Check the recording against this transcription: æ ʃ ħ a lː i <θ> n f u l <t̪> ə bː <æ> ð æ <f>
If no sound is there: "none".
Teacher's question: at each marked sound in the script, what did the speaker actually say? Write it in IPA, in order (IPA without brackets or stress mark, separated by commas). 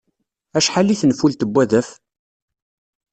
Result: θ, t̪, æ, f